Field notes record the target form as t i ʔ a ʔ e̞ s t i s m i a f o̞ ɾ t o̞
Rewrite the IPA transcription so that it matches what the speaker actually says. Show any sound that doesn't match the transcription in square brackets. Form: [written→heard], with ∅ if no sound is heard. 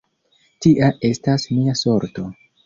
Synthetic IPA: t i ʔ a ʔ e̞ s t [i→a] s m i a [f→s] o̞ ɾ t o̞